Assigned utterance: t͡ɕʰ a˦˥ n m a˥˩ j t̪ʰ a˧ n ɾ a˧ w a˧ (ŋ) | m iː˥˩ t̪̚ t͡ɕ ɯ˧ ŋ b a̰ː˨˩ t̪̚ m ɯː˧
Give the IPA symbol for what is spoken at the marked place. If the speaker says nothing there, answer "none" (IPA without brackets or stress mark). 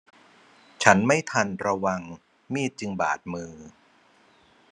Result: ŋ